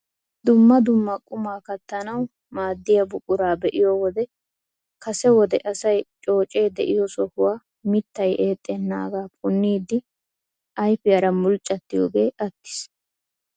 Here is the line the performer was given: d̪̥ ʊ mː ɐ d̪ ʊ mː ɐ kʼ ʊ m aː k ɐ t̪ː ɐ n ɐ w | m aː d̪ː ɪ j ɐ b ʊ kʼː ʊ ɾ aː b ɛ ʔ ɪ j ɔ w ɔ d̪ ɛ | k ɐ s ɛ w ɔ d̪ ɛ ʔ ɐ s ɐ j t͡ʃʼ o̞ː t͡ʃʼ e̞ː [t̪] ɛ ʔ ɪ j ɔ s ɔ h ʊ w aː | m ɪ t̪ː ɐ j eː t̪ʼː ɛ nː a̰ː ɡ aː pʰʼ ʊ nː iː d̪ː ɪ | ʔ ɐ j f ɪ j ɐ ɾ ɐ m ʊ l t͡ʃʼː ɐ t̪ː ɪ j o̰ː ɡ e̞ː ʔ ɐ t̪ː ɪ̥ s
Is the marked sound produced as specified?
no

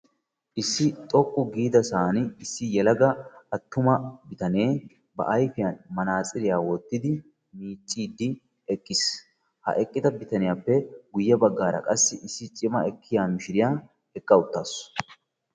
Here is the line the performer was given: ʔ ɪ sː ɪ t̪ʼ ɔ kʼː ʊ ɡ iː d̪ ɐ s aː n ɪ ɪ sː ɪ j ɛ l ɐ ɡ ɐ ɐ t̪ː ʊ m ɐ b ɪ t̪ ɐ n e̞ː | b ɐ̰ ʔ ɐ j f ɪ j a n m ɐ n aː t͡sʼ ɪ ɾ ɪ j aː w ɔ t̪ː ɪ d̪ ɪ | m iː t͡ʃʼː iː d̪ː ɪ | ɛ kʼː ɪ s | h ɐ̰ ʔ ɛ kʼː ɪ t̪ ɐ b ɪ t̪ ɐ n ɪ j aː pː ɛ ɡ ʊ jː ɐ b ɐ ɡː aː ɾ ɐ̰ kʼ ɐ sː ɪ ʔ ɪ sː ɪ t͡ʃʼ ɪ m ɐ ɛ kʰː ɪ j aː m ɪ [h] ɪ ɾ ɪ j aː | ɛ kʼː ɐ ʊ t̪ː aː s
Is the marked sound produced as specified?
no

